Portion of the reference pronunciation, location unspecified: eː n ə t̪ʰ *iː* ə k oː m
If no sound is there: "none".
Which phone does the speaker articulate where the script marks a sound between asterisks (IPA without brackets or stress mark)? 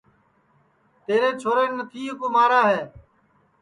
iː